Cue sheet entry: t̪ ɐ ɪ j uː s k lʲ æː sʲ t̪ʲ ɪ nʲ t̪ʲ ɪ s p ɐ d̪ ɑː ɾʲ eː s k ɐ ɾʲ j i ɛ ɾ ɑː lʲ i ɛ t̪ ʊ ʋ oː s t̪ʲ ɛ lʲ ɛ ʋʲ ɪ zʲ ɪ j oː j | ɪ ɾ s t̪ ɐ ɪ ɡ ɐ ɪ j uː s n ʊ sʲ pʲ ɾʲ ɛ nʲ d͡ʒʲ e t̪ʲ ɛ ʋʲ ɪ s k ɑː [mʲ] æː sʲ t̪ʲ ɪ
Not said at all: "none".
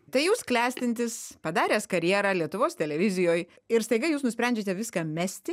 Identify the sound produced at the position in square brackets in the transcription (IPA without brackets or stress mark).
mʲ